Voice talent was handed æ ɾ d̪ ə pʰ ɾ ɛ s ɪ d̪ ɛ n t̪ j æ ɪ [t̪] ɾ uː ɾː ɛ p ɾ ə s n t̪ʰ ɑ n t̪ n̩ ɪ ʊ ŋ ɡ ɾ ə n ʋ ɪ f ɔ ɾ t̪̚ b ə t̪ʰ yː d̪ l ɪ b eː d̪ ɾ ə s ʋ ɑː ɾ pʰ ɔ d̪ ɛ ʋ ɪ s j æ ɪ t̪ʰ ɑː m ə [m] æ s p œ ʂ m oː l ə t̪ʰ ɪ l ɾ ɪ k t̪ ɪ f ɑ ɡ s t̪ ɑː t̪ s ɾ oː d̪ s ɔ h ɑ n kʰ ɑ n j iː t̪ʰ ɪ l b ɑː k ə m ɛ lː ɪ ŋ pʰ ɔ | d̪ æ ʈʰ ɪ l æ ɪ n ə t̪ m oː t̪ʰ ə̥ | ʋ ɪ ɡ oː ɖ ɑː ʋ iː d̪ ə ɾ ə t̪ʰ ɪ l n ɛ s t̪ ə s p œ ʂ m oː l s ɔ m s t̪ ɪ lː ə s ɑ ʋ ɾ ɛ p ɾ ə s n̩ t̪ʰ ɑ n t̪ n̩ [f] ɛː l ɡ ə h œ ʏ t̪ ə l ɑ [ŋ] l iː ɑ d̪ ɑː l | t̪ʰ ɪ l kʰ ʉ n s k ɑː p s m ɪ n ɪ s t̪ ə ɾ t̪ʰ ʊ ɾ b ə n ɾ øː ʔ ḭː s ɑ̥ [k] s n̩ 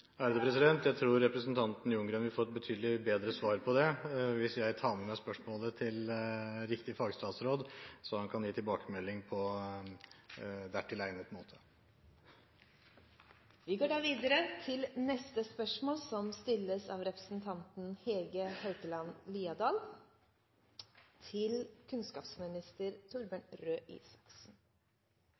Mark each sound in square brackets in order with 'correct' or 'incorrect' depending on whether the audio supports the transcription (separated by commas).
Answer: incorrect, correct, incorrect, incorrect, correct